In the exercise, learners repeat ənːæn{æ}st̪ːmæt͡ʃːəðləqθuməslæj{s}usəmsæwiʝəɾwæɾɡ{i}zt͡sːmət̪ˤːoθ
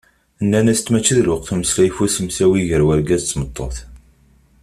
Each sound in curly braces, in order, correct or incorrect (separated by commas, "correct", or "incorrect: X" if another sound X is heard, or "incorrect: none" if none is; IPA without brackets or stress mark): correct, incorrect: f, incorrect: æ